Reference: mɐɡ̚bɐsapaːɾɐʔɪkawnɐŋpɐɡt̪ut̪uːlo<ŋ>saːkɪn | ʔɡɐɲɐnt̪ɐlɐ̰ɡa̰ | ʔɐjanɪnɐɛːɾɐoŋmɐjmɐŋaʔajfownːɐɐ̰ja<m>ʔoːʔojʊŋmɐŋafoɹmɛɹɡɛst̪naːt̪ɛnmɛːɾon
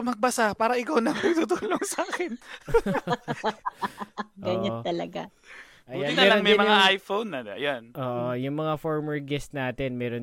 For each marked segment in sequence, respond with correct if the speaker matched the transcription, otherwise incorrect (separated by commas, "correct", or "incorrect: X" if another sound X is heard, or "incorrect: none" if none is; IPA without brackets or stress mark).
correct, incorrect: n